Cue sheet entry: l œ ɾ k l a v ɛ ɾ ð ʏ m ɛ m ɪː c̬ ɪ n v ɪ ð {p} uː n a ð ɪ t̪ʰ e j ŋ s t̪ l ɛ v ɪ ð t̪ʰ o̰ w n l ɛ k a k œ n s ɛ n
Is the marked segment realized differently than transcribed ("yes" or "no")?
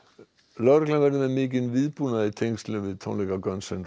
no